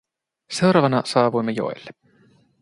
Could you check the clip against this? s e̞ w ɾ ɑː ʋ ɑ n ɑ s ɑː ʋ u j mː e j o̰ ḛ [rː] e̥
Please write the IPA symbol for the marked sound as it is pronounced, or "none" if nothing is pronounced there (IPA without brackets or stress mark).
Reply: lː